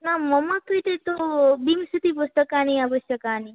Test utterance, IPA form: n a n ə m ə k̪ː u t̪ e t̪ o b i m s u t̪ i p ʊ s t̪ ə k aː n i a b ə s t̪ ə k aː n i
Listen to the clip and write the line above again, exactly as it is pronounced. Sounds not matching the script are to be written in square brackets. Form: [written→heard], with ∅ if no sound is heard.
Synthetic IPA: n a [n→m] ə m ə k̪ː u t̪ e t̪ o b i m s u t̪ i p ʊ s t̪ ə k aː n i a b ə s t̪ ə k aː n i